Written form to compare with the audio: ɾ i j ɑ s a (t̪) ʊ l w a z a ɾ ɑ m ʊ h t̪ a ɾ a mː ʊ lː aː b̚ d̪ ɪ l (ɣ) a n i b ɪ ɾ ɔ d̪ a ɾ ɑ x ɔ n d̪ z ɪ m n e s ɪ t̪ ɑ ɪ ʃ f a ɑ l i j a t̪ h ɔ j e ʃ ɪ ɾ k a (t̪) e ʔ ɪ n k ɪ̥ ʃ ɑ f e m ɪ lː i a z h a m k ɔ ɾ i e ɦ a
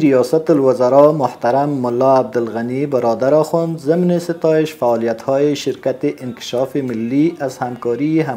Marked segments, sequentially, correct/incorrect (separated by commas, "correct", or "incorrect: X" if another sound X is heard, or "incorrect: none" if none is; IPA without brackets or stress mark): correct, correct, correct